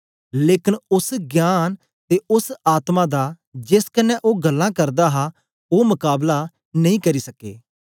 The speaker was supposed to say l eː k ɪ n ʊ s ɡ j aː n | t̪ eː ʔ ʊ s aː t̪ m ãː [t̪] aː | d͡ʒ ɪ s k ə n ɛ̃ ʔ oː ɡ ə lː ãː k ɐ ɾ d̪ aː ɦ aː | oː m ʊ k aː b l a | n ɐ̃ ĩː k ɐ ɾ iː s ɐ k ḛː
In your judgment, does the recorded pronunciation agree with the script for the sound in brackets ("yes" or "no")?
no